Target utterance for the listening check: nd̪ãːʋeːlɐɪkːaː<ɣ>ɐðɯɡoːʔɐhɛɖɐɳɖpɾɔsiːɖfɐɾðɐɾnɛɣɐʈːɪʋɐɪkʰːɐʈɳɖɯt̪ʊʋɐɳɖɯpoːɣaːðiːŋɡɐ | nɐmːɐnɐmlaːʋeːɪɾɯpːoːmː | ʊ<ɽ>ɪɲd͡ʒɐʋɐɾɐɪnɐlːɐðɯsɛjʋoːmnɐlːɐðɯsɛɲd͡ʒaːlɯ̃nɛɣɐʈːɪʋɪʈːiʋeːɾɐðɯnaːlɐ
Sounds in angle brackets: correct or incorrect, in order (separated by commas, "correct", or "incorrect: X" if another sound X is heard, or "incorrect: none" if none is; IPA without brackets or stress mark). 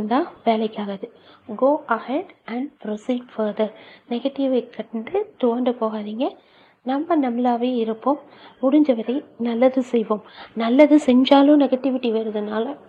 correct, correct